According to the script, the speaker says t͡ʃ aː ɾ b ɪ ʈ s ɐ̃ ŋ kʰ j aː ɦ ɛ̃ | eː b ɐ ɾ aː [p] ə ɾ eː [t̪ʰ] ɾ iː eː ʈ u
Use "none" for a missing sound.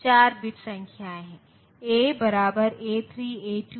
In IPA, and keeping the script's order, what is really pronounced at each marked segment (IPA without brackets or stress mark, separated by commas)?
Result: b, t̪ʰ